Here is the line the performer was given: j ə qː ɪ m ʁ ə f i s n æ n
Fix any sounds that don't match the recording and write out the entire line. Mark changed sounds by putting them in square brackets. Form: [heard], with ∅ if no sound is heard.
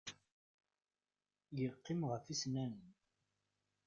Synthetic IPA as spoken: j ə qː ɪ m ʁ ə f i s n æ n